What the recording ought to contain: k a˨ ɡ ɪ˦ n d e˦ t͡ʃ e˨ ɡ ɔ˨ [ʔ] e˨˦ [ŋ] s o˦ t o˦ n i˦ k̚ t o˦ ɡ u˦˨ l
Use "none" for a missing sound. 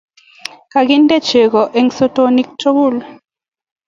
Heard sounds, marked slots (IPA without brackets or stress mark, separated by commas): ʔ, ŋ